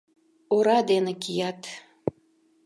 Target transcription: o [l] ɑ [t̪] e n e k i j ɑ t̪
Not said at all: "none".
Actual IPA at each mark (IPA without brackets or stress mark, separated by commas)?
ɾ, d̪